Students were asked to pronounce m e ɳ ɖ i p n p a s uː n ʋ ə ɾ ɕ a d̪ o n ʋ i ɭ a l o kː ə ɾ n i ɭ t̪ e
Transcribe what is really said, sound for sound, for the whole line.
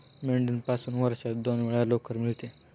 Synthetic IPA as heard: m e ɳ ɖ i n p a s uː n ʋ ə ɾ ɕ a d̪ o n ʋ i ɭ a l o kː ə ɾ m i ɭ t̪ e